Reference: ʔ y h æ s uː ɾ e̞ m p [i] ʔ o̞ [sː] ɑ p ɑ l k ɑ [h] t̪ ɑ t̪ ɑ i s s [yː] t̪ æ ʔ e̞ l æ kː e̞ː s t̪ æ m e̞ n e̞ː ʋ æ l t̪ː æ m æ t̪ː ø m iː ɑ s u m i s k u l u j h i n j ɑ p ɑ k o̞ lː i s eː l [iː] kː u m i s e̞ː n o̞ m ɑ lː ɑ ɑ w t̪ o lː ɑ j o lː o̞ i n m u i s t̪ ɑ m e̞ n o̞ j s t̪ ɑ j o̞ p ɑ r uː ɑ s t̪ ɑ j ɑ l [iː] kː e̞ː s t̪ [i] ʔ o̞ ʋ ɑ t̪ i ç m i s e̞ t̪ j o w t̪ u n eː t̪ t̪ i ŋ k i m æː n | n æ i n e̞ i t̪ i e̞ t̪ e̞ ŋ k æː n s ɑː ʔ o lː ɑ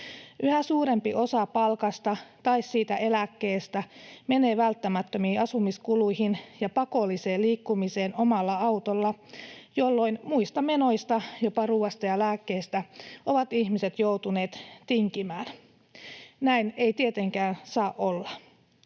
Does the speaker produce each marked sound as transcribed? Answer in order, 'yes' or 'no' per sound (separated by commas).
yes, no, no, no, yes, no, no